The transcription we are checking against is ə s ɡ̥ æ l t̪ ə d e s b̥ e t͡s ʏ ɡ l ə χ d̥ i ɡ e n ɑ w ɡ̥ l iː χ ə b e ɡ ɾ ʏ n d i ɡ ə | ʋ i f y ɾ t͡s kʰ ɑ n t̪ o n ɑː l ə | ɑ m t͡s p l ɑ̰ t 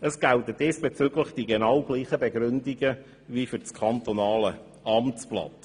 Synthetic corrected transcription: ə s ɡ̥ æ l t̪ ə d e s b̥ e t͡s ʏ ɡ l ə χ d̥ i ɡ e n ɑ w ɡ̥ l iː χ ə b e ɡ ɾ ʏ n d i ɡ ə | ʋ i f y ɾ t͡s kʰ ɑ n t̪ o n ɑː l ə | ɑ m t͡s p l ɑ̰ t

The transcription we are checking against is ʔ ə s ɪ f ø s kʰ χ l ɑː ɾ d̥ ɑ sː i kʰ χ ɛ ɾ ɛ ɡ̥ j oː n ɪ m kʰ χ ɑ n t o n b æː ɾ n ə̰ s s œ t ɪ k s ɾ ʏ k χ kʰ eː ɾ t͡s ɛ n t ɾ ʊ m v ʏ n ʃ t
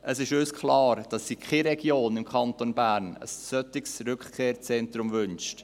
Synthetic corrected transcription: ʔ ə s ɪ ʃ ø s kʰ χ l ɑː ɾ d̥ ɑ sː i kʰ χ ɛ ɾ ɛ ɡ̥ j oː n ɪ m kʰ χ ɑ n t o n b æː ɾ n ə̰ s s œ t ɪ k s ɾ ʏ k χ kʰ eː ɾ t͡s ɛ n t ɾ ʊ m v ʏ n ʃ t

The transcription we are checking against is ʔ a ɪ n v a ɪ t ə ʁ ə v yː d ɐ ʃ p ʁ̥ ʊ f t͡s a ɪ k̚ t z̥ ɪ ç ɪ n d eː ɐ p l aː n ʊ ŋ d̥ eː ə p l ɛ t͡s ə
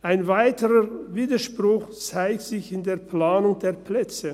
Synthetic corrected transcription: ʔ a ɪ n v a ɪ t ə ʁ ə v iː d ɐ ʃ p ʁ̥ ʊ x t͡s a ɪ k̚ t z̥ ɪ ç ɪ n d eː ɐ p l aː n ʊ ŋ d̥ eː ɐ p l ɛ t͡s ə

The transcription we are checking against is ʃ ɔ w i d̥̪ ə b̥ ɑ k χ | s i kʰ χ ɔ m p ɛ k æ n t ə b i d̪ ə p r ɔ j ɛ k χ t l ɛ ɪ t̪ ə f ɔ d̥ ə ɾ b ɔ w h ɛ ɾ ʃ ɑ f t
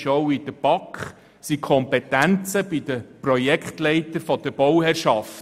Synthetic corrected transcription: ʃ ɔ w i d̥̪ ə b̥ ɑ k χ | s i kʰ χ ɔ m p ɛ t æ n t͡s ə b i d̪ ə p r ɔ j ɛ k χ t l ɛ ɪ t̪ ə f ɔ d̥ ə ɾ b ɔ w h ɛ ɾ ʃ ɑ f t

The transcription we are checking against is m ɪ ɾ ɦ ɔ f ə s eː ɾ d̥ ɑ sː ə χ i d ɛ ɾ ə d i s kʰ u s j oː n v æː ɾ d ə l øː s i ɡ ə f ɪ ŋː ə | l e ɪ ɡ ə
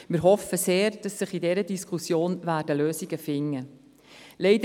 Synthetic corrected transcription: m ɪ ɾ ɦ ɔ f ə s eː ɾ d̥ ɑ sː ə χ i d ɛ ɾ ə d i s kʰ u s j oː n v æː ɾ d ə l øː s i ɡ ə f ɪ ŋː ə | l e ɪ d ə

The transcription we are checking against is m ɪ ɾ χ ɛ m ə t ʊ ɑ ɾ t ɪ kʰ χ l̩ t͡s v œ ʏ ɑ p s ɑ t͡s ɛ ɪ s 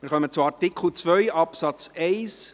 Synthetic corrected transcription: m ɪ ɾ χ œ m ə t͡s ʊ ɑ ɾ t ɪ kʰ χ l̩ t͡s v œ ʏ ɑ p s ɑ t͡s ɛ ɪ s

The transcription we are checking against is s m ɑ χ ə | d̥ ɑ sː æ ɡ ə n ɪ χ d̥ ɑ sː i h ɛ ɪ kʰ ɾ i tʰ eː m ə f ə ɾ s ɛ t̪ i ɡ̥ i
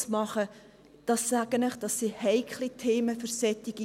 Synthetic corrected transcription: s m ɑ χ ə | d̥ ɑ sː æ ɡ ə n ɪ χ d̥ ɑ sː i h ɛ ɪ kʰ l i tʰ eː m ə f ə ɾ s ɛ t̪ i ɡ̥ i

